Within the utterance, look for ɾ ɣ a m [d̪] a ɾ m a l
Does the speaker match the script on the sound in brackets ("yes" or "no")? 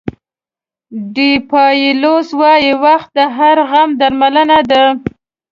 yes